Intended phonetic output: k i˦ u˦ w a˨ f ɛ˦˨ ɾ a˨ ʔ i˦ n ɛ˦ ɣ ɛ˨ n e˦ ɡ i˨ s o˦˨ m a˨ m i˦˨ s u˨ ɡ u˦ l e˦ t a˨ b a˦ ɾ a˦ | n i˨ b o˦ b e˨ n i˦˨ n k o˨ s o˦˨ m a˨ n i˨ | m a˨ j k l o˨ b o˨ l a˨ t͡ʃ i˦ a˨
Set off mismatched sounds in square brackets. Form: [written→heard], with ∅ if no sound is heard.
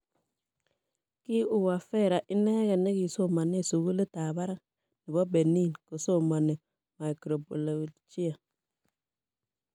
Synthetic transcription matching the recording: k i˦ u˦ w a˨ f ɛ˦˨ ɾ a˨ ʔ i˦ n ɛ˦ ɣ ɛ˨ n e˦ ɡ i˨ s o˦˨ m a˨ [m→n] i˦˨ s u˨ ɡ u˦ l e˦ t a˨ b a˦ ɾ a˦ | n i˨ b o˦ b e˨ n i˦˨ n k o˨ s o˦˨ m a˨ n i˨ | m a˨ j k [l→ɾ] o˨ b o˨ l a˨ t͡ʃ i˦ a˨